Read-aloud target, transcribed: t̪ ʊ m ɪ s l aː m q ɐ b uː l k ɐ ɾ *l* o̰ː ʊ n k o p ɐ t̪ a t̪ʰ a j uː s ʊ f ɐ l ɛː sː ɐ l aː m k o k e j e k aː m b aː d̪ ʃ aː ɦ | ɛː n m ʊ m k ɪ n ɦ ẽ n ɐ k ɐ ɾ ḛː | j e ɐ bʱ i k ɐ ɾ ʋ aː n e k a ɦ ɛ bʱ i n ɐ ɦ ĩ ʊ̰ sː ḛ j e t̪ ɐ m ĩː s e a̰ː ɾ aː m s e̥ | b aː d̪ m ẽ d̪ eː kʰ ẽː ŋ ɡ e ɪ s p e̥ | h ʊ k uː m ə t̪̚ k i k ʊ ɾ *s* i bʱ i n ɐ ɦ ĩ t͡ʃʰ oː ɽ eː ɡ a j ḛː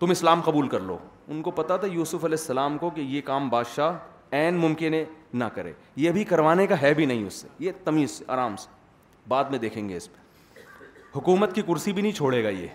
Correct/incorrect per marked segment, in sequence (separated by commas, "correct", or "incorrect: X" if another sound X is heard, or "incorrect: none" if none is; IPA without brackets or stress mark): correct, correct